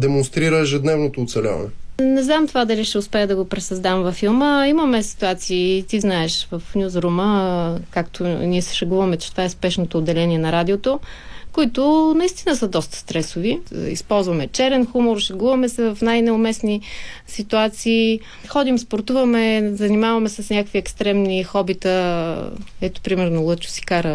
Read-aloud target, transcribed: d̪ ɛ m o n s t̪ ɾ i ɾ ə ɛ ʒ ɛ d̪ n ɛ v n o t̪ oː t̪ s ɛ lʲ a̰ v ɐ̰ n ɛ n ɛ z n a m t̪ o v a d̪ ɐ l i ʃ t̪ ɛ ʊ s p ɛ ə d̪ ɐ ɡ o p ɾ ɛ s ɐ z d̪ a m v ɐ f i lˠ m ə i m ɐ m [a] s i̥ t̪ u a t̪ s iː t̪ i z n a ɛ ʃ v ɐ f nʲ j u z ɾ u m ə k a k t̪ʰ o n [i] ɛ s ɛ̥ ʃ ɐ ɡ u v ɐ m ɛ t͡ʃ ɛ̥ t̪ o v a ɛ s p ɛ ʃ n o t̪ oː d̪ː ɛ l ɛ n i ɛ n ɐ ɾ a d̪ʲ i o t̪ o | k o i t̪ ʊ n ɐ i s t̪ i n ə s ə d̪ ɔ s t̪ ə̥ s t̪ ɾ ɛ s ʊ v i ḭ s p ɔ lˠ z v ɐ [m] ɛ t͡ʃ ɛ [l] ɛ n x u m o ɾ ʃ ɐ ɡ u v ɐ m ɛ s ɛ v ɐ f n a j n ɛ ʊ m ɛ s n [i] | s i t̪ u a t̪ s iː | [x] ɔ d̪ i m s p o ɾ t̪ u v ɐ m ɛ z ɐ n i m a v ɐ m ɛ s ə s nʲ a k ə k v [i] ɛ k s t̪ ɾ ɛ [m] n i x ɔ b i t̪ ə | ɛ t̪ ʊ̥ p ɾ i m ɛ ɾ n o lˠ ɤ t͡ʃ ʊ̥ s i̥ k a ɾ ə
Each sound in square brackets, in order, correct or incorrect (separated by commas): incorrect, correct, correct, incorrect, correct, correct, correct, correct